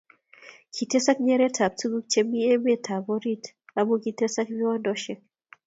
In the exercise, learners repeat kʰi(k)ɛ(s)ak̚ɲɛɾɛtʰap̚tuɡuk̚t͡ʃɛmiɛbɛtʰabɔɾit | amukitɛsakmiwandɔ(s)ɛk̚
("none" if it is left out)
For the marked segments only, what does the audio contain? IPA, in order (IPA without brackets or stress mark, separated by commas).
t, s, ʃ